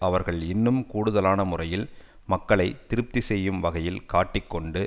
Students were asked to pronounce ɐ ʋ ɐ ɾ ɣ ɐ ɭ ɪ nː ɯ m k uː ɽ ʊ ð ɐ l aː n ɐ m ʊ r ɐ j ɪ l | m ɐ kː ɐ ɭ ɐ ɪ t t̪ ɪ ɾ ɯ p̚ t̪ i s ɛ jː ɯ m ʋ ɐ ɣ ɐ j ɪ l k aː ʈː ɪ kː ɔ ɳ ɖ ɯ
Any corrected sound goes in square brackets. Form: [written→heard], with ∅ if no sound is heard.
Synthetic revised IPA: ɐ ʋ ɐ ɾ ɣ ɐ ɭ ɪ nː ɯ m k uː ɽ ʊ ð ɐ l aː n ɐ m ʊ r ɐ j ɪ l | m ɐ kː ɐ ɭ ɐ ɪ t t̪ ɪ ɾ ɯ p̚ t̪ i s ɛ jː ɯ m ʋ ɐ ɣ ɐ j ɪ l k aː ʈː ɪ kː ɔ ɳ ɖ ɯ